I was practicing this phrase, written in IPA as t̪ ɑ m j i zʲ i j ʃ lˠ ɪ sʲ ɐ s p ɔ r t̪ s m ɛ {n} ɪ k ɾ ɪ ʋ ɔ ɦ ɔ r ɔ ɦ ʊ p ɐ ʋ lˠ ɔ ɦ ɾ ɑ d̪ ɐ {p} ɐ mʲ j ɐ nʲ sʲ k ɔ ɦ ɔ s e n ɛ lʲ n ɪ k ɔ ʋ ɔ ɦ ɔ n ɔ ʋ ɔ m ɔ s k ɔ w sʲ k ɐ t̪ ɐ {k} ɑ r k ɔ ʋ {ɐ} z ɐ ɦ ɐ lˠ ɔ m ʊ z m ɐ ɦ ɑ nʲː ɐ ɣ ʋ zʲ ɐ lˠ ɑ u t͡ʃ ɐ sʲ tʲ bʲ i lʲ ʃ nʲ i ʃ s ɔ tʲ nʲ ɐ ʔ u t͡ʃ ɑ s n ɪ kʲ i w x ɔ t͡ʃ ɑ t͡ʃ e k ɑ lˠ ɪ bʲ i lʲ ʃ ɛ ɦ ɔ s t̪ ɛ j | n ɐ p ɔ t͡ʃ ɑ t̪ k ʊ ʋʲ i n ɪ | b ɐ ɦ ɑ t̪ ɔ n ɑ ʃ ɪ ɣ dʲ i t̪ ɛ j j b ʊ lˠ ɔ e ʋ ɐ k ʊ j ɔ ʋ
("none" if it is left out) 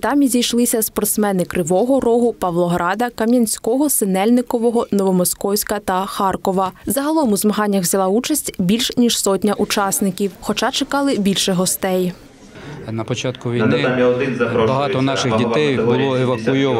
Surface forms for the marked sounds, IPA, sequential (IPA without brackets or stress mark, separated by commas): n, k, x, ɐ